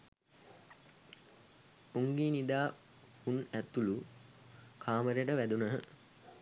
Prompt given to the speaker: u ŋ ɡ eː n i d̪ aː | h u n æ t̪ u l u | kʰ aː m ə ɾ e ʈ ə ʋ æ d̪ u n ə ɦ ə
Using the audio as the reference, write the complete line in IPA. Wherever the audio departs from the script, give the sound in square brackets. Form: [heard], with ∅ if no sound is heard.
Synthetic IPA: u ŋ ɡ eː n i d̪ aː | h u n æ t̪ u l u | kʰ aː m ə ɾ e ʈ ə ʋ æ d̪ u n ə ɦ ə